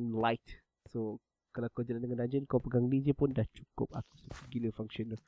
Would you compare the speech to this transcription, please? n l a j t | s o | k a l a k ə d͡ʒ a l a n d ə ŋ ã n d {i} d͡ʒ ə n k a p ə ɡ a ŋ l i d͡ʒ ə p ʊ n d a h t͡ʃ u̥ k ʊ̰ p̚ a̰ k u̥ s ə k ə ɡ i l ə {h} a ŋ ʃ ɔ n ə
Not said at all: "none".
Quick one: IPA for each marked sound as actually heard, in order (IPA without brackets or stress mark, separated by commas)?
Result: a, f